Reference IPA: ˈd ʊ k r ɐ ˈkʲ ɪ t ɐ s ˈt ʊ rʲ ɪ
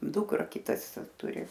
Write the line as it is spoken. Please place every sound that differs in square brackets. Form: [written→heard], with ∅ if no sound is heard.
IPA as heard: ˈd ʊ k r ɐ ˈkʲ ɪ t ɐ s ˈt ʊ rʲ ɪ